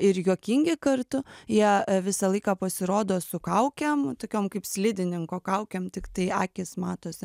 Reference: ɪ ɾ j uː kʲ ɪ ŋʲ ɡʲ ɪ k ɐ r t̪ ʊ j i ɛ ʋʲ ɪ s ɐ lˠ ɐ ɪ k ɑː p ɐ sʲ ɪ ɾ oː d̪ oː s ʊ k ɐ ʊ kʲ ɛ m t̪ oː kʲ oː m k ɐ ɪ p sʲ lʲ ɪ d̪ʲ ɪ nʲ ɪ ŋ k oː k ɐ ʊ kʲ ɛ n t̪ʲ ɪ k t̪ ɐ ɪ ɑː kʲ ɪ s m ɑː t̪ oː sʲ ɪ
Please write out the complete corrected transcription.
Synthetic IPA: ɪ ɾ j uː kʲ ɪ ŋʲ ɡʲ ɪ k ɐ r t̪ ʊ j i ɛ ʋʲ ɪ s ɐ lˠ ɐ ɪ k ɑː p ɐ sʲ ɪ ɾ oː d̪ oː s ʊ k ɐ ʊ kʲ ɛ m t̪ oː kʲ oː m k ɐ ɪ p sʲ lʲ ɪ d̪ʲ ɪ nʲ ɪ ŋ k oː k ɐ ʊ kʲ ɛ m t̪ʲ ɪ k t̪ ɐ ɪ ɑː kʲ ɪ s m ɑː t̪ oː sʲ ɪ